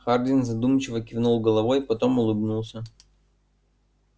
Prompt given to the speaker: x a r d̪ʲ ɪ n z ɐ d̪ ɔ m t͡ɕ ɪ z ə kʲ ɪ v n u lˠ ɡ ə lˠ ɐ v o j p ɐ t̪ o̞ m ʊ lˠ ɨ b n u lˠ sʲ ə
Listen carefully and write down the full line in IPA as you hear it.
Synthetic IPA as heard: x a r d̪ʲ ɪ n z ɐ d̪ u m t͡ɕ ɪ v ə kʲ ɪ v n u lˠ ɡ ə lˠ ɐ v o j p ɐ t̪ o̞ m ʊ lˠ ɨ b n u lˠ sʲ ə